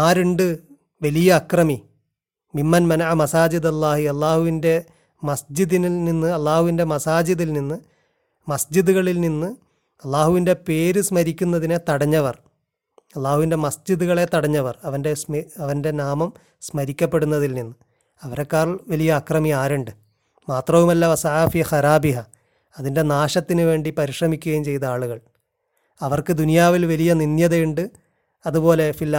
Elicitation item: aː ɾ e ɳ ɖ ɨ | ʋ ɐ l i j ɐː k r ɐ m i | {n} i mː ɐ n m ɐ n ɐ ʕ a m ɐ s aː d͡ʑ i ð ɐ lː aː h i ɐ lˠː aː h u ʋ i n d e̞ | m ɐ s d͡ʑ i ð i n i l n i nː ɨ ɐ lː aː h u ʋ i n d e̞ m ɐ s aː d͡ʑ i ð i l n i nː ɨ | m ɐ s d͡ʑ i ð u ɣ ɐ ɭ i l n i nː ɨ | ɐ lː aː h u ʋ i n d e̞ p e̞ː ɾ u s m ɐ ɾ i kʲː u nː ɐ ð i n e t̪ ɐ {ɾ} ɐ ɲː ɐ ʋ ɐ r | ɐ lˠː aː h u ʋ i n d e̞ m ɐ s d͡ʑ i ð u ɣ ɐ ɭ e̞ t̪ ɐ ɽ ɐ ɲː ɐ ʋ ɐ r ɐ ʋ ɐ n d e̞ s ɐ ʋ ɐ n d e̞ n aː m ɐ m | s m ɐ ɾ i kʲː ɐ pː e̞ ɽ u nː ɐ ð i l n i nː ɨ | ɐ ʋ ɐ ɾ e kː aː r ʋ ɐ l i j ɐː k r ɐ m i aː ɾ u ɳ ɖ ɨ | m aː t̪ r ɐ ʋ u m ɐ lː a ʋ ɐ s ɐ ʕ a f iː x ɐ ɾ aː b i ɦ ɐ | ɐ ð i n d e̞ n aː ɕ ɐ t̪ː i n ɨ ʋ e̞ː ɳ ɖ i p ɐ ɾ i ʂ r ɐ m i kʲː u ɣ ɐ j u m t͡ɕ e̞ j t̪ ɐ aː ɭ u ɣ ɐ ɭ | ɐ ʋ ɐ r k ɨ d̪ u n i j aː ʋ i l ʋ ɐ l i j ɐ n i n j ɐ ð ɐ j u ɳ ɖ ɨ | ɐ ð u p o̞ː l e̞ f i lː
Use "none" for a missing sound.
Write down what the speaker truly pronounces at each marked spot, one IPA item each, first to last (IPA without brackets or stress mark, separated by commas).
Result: m, ɽ